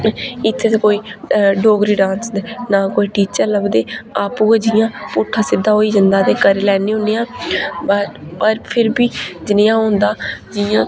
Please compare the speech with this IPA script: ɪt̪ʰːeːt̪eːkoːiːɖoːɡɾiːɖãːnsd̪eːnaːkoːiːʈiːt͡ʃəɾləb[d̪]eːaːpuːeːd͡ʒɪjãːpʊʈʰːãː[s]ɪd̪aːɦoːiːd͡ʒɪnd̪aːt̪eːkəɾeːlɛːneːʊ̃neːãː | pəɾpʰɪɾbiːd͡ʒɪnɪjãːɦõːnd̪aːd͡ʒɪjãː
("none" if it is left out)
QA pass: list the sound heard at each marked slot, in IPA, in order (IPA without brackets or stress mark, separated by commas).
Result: d̪, s